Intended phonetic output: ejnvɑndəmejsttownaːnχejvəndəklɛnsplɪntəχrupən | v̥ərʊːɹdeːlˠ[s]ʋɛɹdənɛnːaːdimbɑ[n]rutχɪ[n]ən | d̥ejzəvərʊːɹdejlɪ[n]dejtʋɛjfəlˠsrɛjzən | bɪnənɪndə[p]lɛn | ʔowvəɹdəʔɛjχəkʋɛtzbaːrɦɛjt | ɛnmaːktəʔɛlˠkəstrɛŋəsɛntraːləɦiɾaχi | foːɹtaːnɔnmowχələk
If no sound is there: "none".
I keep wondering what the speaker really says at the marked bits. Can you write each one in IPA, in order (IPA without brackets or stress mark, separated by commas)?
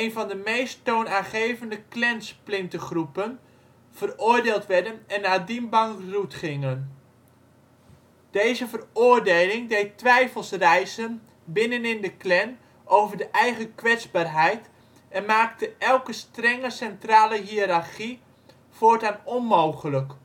t, ŋ, ŋ, ŋ, k